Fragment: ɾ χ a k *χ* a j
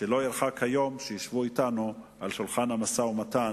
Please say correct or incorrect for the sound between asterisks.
incorrect